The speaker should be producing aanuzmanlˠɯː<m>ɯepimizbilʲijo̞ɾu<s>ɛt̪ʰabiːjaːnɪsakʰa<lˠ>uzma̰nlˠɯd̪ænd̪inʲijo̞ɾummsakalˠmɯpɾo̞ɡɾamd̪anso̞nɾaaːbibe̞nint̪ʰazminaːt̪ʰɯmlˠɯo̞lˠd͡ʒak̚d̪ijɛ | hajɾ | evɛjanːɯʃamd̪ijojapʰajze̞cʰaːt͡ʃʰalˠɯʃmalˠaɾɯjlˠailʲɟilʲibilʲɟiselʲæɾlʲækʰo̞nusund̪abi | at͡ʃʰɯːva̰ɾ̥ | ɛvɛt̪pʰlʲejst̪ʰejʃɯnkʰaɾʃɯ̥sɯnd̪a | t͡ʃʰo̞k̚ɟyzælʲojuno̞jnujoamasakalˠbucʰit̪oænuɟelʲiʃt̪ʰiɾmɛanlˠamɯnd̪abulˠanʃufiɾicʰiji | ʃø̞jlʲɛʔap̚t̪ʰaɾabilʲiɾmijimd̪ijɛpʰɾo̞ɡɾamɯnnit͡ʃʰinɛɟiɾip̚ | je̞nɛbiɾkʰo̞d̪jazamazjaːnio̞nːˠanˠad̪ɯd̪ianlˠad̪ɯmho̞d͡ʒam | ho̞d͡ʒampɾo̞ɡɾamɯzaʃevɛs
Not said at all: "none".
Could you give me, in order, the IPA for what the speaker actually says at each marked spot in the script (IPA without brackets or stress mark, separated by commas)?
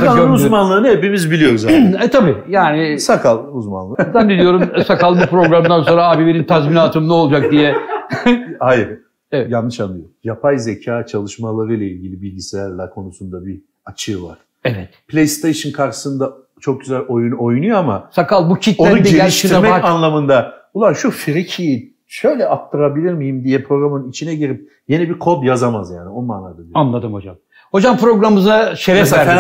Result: n, z, lˠ